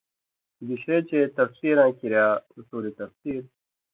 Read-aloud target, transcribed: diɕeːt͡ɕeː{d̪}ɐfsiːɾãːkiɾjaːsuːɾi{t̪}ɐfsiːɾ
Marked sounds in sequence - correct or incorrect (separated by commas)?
incorrect, correct